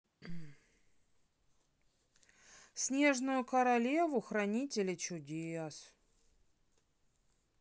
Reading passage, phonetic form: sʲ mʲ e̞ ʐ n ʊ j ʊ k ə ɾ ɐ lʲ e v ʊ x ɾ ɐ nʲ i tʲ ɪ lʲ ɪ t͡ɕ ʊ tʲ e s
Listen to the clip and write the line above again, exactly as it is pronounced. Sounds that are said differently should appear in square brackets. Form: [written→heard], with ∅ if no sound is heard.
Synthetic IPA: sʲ [mʲ→nʲ] e̞ ʐ n ʊ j ʊ k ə ɾ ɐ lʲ e v ʊ x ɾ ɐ nʲ i tʲ ɪ lʲ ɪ t͡ɕ ʊ [tʲ→dʲ] e s